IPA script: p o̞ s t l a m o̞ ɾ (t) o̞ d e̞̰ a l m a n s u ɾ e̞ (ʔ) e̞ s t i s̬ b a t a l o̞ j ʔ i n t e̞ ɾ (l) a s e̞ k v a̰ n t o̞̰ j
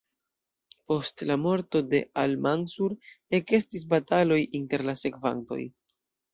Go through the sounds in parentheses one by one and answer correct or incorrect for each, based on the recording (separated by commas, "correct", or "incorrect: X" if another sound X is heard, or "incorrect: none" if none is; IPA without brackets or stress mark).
correct, incorrect: k, correct